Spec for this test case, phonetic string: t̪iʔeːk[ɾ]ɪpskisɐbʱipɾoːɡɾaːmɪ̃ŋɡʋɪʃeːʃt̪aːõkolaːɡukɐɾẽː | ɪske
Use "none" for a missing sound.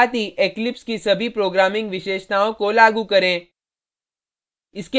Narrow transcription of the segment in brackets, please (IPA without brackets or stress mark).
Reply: l